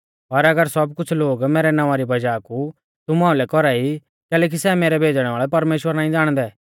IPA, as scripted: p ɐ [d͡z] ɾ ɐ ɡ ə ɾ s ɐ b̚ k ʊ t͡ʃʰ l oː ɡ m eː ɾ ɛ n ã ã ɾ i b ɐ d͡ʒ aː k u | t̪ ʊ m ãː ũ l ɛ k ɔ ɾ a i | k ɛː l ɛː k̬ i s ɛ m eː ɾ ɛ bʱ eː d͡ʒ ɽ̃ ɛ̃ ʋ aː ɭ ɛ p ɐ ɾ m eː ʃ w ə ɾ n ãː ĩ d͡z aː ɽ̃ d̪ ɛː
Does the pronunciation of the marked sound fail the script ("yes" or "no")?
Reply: yes